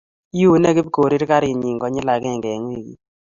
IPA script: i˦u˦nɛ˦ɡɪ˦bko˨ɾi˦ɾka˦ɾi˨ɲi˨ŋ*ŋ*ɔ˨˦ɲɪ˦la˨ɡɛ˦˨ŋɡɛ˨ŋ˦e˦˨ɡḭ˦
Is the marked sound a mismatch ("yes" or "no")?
yes